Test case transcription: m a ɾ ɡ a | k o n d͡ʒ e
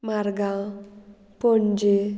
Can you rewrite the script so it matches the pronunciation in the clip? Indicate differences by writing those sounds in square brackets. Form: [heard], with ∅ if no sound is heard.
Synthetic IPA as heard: m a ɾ ɡ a | [p] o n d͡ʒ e